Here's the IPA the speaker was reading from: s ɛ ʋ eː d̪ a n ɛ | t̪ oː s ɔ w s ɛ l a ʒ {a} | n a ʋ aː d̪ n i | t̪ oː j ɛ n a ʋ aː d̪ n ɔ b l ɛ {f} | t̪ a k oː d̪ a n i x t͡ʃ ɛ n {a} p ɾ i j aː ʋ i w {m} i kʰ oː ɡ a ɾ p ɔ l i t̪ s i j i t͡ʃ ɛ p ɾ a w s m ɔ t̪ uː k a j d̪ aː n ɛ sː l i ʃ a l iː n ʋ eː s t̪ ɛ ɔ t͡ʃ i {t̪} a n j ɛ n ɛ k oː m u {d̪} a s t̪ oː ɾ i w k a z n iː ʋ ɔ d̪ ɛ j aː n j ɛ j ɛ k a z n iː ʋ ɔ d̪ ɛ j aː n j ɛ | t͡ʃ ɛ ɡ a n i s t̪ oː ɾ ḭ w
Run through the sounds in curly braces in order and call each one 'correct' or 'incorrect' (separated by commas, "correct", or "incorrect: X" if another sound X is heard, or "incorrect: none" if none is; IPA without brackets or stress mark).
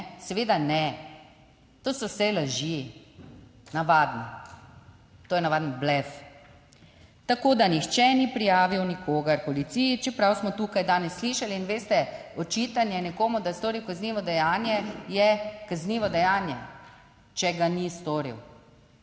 incorrect: i, correct, incorrect: i, incorrect: n, correct, correct